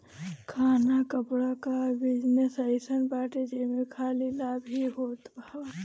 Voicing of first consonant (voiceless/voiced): voiceless